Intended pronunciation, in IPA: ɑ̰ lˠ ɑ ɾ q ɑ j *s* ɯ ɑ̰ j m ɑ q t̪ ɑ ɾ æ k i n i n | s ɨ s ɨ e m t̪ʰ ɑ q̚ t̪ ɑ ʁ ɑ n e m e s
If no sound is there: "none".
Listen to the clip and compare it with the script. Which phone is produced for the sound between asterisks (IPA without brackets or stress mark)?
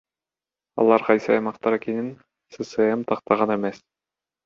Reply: s